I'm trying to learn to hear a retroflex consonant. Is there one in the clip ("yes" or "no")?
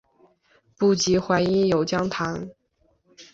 no